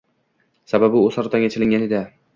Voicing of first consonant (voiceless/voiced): voiceless